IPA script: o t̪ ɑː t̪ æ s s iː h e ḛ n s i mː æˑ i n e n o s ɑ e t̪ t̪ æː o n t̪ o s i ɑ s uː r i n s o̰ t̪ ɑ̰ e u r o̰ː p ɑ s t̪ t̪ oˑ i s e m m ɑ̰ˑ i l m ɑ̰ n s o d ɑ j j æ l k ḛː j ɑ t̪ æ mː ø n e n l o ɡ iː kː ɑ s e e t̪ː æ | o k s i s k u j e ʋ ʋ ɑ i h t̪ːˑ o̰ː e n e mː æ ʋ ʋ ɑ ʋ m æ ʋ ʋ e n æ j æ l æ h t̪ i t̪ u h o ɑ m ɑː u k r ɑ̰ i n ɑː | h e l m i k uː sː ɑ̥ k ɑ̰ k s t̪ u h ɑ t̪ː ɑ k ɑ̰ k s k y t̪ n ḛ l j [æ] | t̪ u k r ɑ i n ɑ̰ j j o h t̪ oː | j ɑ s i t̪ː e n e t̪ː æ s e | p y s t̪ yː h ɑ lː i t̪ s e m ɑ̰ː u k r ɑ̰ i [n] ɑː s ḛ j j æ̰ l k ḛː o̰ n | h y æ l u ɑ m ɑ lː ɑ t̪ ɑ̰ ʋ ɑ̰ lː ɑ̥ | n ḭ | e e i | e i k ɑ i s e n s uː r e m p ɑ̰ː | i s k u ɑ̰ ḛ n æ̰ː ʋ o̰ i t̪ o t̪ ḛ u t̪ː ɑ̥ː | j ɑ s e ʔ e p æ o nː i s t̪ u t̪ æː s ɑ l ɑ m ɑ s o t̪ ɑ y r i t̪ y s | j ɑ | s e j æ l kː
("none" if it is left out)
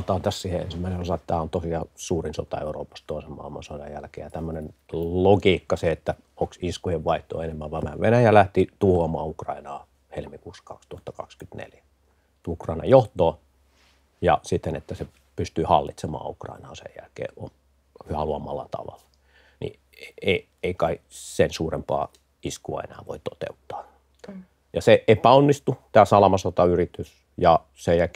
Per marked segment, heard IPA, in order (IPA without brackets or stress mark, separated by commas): æ, n